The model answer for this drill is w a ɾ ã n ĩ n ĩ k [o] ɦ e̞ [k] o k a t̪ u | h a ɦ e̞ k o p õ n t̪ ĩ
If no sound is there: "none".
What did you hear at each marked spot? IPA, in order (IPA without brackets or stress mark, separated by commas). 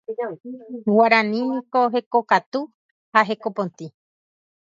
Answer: o, k